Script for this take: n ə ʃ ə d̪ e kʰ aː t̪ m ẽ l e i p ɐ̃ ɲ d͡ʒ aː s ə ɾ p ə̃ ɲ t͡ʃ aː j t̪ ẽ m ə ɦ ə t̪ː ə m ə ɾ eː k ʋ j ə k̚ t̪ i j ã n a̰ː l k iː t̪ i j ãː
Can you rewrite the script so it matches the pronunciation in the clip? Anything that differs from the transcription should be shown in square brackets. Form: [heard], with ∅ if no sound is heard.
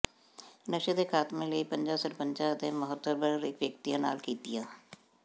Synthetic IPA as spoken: n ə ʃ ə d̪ e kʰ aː t̪ m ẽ l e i p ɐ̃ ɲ d͡ʒ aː s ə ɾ p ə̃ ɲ t͡ʃ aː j t̪ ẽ m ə ɦ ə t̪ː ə [b] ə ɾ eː k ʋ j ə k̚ t̪ i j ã n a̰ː l k iː t̪ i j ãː